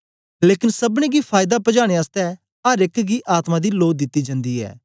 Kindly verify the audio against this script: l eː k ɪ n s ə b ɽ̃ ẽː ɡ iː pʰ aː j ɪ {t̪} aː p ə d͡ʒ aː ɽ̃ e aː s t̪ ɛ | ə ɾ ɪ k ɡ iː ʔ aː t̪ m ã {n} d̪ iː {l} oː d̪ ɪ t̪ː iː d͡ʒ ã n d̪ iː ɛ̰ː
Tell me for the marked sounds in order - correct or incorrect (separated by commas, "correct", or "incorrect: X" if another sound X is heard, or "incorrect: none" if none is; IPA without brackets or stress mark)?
incorrect: d̪, incorrect: none, correct